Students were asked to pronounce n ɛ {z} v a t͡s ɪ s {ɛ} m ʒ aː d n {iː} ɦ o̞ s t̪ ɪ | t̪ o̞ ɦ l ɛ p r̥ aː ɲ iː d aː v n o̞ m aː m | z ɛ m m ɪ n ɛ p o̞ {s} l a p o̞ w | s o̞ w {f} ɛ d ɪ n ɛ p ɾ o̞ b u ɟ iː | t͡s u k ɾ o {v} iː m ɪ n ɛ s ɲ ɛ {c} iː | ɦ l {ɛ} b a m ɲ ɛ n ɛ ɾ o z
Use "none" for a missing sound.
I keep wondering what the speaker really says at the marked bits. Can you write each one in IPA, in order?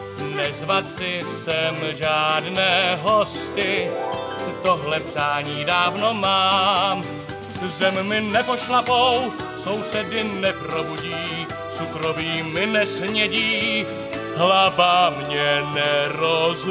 z, ɛ, ɛː, ʃ, s, v, ɟ, a

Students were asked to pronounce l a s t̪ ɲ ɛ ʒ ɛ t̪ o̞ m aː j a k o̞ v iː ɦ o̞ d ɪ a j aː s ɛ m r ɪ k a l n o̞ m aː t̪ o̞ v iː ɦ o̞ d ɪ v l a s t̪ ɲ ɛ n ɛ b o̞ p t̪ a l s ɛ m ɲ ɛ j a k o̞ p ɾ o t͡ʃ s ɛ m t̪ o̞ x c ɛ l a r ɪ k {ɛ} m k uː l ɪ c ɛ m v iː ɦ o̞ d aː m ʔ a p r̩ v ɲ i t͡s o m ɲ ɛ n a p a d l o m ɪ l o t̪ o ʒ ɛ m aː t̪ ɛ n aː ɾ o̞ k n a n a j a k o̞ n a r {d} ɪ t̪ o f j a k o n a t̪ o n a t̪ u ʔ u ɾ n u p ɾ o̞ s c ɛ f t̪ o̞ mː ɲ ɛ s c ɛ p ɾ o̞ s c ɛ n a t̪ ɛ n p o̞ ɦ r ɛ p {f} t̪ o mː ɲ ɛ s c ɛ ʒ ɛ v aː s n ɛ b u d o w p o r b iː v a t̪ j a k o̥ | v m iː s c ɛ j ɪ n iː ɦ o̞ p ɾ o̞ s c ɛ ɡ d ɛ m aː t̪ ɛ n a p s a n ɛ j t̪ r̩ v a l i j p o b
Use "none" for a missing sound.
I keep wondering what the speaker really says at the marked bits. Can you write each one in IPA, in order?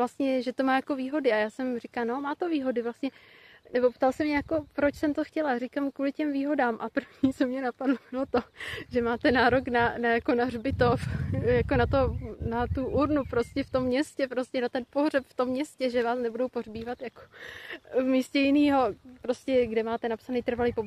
a, b, f

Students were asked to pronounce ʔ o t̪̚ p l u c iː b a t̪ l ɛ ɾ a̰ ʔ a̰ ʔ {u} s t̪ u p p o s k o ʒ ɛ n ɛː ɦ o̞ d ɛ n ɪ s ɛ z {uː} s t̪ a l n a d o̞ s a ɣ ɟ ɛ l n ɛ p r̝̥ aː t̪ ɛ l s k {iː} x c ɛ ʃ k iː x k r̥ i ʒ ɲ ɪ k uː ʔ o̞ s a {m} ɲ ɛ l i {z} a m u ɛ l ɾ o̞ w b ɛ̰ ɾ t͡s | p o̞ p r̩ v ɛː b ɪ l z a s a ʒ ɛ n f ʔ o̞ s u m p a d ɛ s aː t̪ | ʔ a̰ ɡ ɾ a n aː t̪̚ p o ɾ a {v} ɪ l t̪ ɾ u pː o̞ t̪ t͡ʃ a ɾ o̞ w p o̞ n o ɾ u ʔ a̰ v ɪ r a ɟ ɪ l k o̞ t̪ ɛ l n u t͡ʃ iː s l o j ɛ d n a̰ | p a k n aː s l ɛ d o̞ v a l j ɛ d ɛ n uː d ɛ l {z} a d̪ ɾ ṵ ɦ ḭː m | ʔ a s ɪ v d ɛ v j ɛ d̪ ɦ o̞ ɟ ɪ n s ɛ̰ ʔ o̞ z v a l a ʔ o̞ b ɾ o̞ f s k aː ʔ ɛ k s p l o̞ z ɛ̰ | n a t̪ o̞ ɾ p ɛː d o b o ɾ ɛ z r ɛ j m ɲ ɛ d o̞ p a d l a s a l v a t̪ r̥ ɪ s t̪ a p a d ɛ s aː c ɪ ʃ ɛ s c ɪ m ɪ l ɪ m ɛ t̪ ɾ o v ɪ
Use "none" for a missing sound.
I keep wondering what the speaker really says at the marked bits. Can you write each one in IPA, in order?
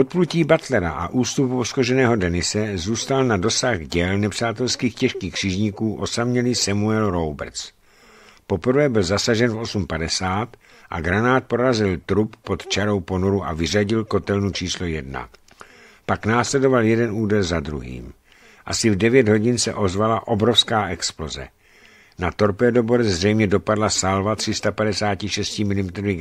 uː, uː, iː, m, s, z, z

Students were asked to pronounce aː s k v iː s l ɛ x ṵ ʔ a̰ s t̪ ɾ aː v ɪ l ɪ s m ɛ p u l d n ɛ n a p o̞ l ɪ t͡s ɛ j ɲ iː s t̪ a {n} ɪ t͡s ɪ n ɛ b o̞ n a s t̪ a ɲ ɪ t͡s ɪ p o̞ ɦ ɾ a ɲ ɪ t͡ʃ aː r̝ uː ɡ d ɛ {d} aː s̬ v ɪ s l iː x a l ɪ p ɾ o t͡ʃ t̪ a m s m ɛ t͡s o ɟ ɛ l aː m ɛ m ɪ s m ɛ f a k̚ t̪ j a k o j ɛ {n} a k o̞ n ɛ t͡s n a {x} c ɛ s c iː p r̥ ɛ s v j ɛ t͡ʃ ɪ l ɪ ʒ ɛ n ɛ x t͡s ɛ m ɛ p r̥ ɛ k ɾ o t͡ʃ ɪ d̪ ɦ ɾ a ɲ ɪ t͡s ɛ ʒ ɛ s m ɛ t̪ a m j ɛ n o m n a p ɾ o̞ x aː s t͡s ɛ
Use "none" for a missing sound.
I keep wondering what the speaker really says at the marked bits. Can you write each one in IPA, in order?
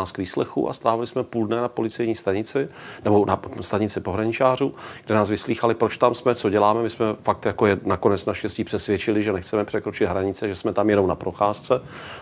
ɲ, n, n, ʃ

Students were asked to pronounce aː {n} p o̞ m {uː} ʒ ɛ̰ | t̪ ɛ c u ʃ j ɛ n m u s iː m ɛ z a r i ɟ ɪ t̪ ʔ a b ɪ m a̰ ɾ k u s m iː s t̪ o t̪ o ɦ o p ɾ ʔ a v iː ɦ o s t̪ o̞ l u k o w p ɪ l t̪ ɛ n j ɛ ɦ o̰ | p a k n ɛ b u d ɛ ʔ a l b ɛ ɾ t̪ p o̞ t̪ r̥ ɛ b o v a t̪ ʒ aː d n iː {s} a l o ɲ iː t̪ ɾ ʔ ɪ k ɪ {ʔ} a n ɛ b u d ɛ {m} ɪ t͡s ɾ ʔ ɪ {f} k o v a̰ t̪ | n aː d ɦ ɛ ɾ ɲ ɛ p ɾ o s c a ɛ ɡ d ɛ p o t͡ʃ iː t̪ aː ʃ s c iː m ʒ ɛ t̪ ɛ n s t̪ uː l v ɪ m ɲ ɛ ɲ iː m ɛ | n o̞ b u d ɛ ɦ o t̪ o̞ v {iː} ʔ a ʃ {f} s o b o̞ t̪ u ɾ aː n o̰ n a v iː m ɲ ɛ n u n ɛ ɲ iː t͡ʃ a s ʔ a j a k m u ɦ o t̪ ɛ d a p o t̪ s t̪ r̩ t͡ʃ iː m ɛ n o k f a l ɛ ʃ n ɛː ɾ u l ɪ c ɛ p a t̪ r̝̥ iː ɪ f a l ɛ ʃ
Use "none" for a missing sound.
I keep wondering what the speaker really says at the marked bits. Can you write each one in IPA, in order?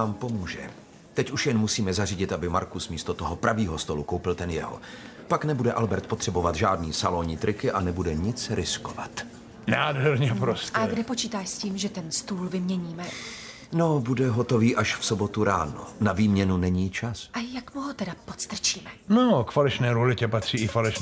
m, uː, s, ʔ, ɲ, s, iː, f

